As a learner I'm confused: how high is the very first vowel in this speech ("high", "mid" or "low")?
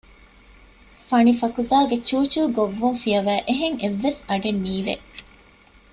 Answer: low